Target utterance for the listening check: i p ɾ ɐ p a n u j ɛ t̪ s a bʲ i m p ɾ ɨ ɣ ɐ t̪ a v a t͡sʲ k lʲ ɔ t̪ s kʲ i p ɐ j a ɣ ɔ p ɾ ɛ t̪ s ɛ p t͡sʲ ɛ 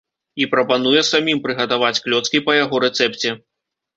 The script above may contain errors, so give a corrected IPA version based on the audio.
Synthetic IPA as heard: i p ɾ ɐ p a n u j ɛ s a mʲ i m p ɾ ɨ ɣ ɐ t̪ a v a t͡sʲ k lʲ ɔ t̪ s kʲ i p ɐ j a ɣ ɔ ɾ ɛ t̪ s ɛ p t͡sʲ ɛ